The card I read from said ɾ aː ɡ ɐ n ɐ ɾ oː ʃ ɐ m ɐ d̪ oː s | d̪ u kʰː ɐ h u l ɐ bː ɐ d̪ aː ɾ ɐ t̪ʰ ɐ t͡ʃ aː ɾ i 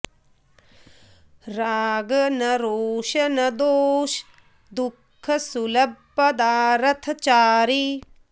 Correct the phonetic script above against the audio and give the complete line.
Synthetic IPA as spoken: ɾ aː ɡ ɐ n ɐ ɾ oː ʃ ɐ n ɐ d̪ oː ʃ | d̪ u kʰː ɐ s u l ɐ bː ɐ d̪ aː ɾ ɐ t̪ʰ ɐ t͡ʃ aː ɾ i